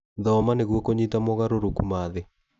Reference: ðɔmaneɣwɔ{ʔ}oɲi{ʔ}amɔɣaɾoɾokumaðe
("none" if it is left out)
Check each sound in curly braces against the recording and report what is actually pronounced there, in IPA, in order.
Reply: k, t

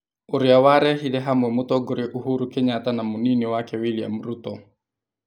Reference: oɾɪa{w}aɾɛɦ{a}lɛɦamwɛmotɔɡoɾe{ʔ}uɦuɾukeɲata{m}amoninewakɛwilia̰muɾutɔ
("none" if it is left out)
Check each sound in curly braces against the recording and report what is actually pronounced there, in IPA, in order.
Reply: w, i, ʔ, n

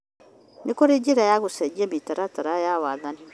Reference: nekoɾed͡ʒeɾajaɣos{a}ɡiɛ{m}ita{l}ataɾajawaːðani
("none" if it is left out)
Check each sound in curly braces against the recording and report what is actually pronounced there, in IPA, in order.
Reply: ɛ, m, ɾ

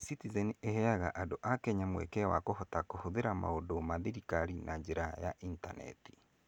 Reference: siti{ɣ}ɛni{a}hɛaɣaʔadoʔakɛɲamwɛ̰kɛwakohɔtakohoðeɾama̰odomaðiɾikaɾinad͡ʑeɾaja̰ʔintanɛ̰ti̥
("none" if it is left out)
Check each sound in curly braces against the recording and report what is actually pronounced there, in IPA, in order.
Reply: z, e

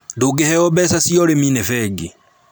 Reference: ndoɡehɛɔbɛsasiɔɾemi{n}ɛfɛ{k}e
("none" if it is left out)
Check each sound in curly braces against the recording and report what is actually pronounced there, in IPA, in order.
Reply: n, ɡ

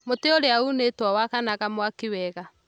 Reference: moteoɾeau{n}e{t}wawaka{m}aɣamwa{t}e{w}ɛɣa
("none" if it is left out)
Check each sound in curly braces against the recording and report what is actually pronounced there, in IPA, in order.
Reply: n, t, n, k, w

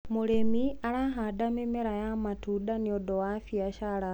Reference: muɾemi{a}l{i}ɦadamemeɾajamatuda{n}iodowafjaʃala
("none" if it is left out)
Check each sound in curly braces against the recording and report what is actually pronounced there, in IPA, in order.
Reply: a, a, n

